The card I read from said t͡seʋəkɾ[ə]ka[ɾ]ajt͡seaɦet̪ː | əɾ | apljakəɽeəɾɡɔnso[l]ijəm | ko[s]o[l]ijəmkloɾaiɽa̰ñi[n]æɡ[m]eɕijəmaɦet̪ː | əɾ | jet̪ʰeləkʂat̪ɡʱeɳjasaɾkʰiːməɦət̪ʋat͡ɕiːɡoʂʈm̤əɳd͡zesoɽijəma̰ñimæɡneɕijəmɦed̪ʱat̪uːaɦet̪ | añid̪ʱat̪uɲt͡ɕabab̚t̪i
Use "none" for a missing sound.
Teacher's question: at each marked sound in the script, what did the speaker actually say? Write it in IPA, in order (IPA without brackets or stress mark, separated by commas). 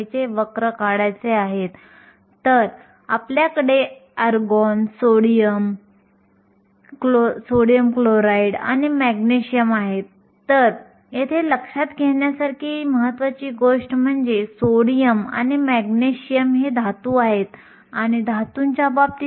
ə, ɽ, ɽ, s, ɽ, m, n